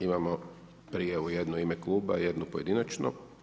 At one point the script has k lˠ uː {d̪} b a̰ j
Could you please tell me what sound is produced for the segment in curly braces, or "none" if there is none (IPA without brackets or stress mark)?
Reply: none